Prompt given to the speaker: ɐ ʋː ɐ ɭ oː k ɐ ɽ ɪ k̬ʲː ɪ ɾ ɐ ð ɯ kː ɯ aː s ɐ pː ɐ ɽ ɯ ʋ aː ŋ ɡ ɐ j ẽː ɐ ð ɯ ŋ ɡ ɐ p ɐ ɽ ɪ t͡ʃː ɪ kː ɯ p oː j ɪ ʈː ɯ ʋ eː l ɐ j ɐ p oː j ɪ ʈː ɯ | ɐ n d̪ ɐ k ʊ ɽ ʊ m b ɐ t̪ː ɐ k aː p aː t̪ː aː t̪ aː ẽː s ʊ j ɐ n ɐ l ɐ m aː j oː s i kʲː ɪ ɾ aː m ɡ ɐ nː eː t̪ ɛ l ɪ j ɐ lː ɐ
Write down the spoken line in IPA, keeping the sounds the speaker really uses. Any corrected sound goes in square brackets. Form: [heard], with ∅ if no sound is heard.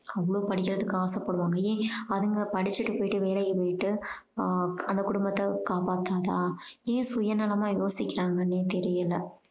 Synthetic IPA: ɐ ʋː ɐ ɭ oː [p] ɐ ɽ ɪ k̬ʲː ɪ ɾ ɐ ð ɯ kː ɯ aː s ɐ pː ɐ ɽ ɯ ʋ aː ŋ ɡ ɐ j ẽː ɐ ð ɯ ŋ ɡ ɐ p ɐ ɽ ɪ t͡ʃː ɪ [ʈː] ɯ p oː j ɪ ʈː ɯ ʋ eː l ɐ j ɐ p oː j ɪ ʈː ɯ | ɐ n d̪ ɐ k ʊ ɽ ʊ m b ɐ t̪ː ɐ k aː p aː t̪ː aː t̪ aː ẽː s ʊ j ɐ n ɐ l ɐ m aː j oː s [ɪ] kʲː ɪ ɾ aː [ŋ] ɡ ɐ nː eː t̪ ɛ [ɾ] ɪ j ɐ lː ɐ